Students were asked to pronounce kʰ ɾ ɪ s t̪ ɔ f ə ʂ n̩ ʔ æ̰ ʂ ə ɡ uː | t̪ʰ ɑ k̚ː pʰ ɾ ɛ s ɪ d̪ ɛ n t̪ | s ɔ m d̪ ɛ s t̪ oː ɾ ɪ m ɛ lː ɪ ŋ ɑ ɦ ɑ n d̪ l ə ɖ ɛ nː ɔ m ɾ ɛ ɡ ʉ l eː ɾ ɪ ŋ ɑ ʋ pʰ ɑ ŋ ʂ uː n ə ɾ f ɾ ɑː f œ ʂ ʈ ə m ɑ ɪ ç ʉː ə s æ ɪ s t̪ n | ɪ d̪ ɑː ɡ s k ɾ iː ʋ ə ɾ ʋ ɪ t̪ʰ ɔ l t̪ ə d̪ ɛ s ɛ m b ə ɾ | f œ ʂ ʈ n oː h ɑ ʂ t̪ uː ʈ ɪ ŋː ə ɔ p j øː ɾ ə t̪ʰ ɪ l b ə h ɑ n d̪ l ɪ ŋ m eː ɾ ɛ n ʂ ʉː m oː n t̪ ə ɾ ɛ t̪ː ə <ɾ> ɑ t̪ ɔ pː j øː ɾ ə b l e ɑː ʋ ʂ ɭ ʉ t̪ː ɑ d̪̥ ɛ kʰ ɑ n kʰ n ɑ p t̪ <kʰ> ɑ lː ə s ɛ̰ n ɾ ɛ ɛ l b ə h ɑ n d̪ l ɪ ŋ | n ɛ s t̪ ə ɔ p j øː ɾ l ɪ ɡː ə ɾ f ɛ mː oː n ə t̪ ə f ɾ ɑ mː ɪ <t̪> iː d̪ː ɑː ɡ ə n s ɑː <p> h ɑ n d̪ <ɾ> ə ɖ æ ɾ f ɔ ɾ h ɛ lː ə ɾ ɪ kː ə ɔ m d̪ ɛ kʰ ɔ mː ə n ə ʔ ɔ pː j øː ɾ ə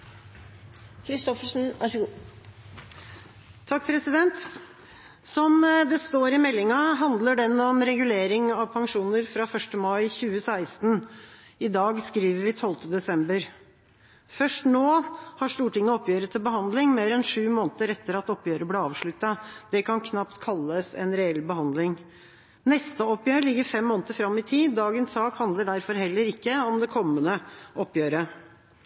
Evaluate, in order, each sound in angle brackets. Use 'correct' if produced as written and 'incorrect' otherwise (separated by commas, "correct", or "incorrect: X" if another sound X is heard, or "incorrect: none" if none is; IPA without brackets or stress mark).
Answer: correct, correct, incorrect: t̪ʰ, incorrect: k, incorrect: l